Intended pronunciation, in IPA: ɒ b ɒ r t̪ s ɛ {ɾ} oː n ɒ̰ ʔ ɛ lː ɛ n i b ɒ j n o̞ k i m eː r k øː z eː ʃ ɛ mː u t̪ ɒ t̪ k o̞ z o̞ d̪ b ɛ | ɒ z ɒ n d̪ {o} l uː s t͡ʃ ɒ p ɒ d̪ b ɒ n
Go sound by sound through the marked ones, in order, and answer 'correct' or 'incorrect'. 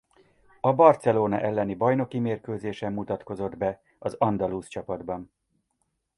incorrect: l, incorrect: ɒ

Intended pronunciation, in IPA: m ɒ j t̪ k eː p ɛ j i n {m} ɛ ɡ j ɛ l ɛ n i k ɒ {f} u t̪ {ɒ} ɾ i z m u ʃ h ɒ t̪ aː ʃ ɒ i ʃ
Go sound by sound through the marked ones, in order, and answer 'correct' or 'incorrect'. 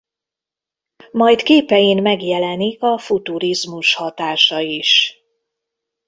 correct, correct, incorrect: u

